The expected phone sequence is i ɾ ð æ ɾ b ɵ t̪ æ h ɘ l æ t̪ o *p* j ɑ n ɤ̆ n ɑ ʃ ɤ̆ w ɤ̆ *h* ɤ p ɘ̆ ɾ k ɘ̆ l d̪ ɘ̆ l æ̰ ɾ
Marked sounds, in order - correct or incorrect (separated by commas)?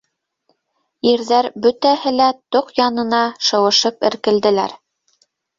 incorrect, incorrect